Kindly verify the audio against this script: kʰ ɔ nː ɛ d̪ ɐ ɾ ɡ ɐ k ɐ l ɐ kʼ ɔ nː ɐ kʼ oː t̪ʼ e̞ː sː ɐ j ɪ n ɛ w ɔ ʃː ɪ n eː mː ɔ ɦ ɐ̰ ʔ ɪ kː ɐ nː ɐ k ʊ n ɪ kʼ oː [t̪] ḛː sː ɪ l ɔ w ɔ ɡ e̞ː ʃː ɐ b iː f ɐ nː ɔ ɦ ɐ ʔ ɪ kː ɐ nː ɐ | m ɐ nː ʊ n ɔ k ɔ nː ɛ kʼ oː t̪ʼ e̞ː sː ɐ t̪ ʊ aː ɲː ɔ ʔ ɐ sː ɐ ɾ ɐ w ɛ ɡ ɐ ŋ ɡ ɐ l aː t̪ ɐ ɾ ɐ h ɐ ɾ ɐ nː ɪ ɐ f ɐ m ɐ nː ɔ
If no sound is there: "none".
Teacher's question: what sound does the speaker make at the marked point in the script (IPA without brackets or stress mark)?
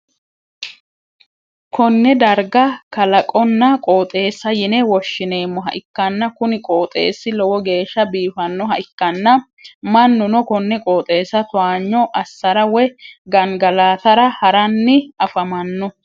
t̪ʼ